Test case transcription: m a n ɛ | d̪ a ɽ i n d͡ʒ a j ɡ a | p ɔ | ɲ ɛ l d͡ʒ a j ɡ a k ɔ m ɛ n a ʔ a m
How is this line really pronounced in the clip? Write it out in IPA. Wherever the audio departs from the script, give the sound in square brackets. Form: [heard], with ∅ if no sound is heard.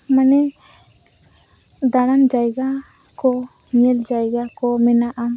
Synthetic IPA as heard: m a n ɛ | d̪ a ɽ [a] n d͡ʒ a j ɡ a | [k] ɔ | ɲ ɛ l d͡ʒ a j ɡ a k ɔ m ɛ n a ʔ a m